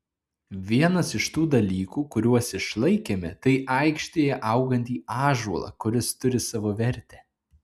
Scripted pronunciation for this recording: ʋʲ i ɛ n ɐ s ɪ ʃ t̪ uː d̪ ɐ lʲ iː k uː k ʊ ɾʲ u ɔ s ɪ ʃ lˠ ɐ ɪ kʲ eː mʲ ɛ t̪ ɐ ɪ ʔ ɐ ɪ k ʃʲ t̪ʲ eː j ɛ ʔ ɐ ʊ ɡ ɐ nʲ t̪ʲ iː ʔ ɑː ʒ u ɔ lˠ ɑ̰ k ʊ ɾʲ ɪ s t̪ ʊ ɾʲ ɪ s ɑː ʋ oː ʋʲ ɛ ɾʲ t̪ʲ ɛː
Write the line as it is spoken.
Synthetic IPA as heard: ʋʲ i ɛ n ɐ s ɪ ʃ t̪ uː d̪ ɐ lʲ iː k uː k ʊ ɾʲ u ɔ s ɪ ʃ lˠ ɐ ɪ kʲ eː mʲ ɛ t̪ ɐ ɪ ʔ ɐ ɪ k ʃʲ t̪ʲ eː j ɛ ʔ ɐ ʊ ɡ ɐ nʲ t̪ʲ iː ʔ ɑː ʒ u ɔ lˠ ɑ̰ k ʊ ɾʲ ɪ s t̪ ʊ ɾʲ ɪ s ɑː ʋ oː ʋʲ ɛ ɾʲ t̪ʲ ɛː